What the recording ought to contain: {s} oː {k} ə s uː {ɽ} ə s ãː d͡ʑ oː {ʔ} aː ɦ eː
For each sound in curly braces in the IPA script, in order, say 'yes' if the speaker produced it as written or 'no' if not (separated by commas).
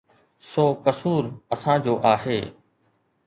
yes, yes, no, yes